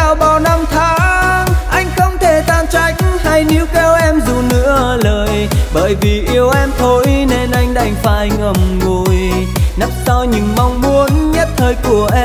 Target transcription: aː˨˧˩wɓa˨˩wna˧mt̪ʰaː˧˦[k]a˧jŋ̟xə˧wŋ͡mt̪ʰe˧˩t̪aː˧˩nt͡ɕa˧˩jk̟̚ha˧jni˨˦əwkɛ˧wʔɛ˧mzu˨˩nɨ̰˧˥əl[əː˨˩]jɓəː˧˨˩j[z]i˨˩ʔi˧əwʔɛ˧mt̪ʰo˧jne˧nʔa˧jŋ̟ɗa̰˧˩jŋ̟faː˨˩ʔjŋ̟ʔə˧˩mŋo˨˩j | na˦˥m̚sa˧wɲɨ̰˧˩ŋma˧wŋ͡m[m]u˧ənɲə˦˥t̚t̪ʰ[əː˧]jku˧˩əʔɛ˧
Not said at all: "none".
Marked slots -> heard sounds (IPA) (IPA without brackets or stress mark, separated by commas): ʔ, əː˨˩, v, m, əː˧